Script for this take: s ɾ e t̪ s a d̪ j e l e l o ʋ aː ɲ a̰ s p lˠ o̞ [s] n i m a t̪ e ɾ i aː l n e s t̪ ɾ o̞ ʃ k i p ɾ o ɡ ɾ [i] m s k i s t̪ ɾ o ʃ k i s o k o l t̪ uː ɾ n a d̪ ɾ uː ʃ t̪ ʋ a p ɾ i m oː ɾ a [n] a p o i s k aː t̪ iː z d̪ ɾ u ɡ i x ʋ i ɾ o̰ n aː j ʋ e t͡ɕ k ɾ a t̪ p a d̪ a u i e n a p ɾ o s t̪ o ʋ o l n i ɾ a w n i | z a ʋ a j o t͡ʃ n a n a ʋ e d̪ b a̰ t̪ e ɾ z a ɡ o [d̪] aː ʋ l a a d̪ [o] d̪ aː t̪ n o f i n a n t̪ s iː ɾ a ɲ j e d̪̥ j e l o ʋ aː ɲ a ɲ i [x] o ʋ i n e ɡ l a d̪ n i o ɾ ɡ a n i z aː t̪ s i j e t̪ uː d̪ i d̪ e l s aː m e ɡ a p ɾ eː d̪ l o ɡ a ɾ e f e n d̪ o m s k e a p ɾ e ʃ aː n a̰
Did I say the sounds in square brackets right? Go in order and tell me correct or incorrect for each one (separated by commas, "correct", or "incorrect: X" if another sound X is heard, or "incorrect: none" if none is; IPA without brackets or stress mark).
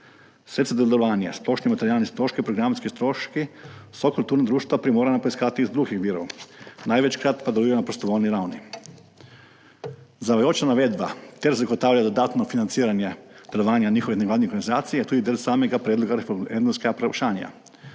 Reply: incorrect: ʃ, incorrect: a, correct, incorrect: t̪, correct, correct